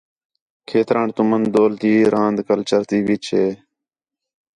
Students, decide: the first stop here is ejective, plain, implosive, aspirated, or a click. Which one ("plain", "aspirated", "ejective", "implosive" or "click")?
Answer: aspirated